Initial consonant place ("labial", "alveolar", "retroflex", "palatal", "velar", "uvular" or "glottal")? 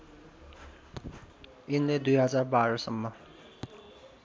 alveolar